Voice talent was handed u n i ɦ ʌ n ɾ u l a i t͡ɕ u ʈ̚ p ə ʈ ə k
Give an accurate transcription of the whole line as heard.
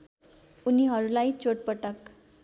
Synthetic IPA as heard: u n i ɦ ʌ ɾ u l a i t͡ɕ o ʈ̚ p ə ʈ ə k